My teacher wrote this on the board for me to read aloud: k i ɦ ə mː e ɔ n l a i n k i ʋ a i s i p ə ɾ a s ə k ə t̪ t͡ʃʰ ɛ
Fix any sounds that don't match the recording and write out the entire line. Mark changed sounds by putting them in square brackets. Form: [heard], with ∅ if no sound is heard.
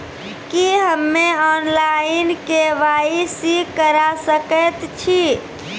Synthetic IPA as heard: k i ɦ ə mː e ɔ n l a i n k [e] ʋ a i s i [k] ə ɾ a s ə k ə t̪ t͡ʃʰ [i]